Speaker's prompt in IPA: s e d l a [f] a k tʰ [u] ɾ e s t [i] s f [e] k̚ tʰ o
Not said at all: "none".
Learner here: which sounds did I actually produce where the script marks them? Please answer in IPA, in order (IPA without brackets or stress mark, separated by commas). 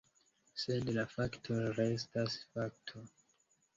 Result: f, o, a, a